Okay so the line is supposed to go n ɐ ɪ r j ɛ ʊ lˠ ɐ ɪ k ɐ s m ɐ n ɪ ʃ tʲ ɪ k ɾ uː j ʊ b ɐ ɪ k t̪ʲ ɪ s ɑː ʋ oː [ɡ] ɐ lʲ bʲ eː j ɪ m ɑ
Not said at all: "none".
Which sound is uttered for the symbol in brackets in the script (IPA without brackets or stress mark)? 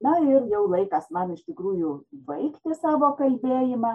k